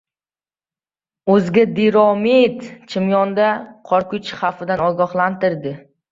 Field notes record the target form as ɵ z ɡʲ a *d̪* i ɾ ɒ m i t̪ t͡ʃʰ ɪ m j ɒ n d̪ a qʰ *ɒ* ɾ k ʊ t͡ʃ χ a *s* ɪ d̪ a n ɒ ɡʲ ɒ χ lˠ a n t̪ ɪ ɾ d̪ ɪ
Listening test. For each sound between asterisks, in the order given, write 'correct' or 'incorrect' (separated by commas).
correct, correct, incorrect